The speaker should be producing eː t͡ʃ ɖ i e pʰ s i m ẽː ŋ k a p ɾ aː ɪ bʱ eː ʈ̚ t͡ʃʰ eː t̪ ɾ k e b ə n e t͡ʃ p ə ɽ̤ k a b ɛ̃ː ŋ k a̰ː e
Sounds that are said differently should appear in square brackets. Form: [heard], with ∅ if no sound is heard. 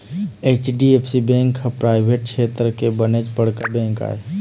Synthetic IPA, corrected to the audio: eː t͡ʃ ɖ i e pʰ s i [b] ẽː ŋ k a p ɾ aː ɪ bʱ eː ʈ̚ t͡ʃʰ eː t̪ ɾ k e b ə n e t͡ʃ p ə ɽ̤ k a b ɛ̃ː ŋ k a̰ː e